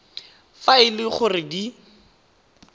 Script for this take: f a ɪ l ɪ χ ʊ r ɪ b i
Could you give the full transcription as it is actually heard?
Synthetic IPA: f a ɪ l ɪ χ ʊ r ɪ d i